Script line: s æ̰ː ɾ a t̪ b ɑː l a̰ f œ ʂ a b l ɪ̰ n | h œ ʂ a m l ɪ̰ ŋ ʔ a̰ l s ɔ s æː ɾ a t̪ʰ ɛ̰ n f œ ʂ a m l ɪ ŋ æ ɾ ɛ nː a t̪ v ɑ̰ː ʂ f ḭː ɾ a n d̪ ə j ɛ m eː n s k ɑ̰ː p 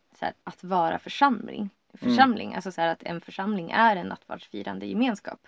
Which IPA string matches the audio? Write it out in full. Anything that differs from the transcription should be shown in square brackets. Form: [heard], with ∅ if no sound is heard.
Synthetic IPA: s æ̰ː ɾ a t̪ [v] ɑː [ɾ] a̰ f œ ʂ a [m] l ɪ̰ [ŋ] | [f] œ ʂ a m l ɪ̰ ŋ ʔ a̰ l s ɔ s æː ɾ a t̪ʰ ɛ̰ n f œ ʂ a m l ɪ ŋ æ ɾ ɛ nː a t̪ v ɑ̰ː ʂ f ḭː ɾ a n d̪ ə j ɛ m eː n s k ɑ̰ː p